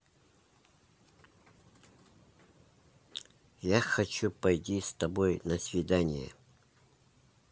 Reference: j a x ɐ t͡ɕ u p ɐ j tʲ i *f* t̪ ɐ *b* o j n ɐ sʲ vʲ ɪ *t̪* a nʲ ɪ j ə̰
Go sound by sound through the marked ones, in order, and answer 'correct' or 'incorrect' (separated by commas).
incorrect, correct, incorrect